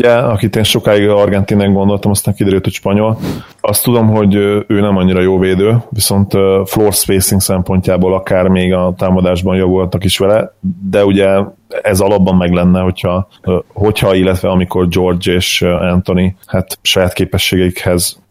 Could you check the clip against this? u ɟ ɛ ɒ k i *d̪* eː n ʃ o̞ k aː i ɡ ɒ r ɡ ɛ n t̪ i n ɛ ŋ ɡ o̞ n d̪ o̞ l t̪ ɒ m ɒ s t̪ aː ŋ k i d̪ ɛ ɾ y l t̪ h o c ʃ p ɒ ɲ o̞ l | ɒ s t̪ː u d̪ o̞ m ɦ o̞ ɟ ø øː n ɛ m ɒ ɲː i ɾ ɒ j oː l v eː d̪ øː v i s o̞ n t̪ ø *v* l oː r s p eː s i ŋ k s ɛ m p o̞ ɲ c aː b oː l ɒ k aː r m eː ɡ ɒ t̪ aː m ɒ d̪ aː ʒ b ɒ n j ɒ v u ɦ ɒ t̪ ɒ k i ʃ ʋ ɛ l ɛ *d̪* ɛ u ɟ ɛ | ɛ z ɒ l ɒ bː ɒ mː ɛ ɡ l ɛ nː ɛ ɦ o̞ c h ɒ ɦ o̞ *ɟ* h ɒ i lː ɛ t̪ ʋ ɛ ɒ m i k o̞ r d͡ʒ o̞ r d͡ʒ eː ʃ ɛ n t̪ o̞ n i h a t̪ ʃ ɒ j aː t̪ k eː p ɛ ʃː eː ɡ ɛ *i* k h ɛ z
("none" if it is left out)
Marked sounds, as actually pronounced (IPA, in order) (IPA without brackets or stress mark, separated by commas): t̪, f, d̪, c, i